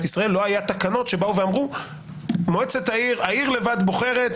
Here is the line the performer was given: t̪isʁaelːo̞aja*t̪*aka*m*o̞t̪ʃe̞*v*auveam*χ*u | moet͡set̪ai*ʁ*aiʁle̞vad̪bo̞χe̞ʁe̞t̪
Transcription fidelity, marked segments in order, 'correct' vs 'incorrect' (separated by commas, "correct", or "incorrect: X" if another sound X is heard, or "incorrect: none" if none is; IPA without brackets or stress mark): correct, incorrect: n, incorrect: b, incorrect: ʁ, correct